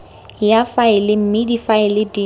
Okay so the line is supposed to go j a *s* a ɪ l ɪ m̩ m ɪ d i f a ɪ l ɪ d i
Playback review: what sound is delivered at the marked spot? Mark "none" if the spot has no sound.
f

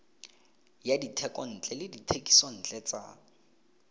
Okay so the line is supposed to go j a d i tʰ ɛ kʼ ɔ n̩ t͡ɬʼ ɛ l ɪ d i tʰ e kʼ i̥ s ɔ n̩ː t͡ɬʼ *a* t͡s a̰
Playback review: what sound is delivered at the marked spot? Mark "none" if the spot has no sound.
ɛ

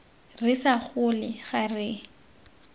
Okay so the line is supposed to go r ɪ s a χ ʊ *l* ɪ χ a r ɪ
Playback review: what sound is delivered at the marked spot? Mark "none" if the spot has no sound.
l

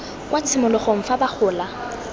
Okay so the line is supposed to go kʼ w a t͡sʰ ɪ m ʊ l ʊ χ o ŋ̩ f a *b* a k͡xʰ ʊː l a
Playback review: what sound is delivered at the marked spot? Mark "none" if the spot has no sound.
b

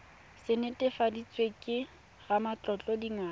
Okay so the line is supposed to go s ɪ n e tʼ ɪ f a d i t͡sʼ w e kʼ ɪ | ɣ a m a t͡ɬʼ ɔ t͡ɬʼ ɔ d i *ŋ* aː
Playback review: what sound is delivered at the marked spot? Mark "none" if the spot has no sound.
ŋ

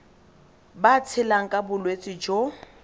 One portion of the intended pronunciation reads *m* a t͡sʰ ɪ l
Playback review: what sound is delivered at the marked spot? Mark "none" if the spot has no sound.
b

